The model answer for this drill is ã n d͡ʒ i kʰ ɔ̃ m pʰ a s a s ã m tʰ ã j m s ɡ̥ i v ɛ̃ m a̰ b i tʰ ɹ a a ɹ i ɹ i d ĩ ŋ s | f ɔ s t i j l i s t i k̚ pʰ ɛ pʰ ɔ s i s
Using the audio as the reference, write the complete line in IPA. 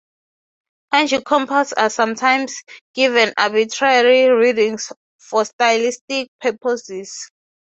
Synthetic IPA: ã n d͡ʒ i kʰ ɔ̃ m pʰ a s a s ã m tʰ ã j m s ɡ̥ i v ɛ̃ n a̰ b i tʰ ɹ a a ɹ i ɹ i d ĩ ŋ s | f ɔ s t a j l i s t i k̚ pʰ ɛ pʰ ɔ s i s